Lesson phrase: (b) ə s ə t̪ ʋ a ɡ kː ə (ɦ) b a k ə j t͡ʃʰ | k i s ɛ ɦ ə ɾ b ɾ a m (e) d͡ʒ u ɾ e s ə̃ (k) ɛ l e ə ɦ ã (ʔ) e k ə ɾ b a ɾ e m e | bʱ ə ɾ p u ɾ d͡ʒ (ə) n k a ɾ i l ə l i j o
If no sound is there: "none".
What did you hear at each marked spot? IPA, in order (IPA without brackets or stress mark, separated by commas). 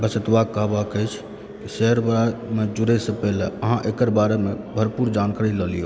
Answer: b, ɦ, e, p, ʔ, a